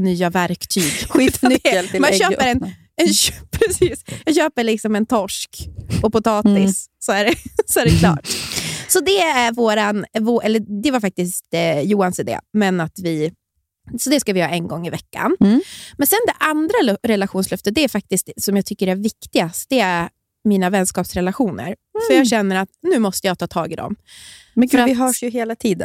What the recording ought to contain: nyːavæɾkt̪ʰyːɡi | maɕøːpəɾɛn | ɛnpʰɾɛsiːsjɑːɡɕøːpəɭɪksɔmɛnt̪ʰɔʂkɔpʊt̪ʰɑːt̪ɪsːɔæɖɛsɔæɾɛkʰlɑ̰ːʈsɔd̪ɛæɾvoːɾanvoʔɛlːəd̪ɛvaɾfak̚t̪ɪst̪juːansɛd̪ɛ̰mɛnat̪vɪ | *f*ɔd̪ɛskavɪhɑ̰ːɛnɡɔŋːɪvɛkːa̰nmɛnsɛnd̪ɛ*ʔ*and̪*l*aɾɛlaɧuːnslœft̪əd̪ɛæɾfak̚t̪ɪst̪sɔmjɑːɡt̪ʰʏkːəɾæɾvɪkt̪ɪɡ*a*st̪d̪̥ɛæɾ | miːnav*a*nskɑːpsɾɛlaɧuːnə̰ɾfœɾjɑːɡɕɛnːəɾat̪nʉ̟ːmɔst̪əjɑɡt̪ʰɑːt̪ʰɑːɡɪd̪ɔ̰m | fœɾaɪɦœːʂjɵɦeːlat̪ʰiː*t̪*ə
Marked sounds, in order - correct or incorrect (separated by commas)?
incorrect, correct, incorrect, correct, incorrect, incorrect